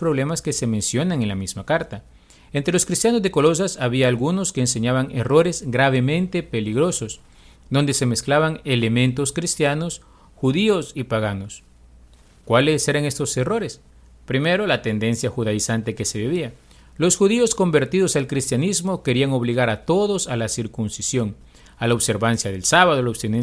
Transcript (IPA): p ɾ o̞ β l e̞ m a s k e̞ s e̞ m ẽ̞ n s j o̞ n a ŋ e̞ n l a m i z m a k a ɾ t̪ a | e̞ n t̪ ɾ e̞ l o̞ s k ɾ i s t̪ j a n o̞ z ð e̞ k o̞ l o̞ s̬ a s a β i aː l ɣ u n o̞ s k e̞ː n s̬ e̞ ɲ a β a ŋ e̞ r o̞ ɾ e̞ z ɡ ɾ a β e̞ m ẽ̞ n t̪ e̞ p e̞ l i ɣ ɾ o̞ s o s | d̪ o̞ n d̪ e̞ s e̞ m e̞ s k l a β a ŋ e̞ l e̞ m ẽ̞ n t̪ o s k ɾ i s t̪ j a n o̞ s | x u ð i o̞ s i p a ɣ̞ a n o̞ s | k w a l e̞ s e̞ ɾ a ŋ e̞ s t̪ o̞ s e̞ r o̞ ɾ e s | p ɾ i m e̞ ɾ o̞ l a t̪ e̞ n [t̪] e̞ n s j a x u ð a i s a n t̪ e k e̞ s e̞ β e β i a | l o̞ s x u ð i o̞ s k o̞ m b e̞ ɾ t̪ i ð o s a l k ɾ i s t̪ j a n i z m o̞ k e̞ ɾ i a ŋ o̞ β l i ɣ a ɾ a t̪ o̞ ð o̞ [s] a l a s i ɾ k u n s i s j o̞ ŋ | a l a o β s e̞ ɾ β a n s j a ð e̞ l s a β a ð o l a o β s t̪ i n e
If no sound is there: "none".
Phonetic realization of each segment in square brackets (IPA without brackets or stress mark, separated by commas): d̪, s